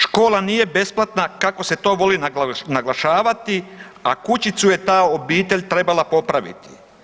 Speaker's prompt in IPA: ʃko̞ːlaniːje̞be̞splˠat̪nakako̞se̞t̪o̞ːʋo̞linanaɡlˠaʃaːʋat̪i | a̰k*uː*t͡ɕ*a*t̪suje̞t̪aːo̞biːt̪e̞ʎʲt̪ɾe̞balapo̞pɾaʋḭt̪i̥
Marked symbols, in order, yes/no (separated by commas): no, no